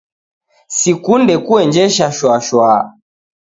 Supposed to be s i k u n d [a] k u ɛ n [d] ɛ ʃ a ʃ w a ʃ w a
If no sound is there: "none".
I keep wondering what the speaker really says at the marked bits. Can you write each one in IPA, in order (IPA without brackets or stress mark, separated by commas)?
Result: ɛ, d͡ʒ